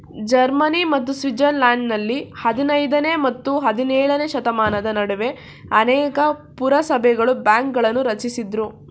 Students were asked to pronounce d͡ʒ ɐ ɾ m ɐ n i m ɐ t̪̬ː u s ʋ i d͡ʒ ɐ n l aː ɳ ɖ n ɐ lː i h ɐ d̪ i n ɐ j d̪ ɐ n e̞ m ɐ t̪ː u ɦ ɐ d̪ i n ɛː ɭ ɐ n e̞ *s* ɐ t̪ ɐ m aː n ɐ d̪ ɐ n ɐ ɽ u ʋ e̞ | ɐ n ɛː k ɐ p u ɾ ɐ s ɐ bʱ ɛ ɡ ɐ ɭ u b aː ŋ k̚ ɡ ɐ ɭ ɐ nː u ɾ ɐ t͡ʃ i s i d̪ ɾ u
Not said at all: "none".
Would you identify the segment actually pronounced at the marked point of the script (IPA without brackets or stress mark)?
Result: ʃ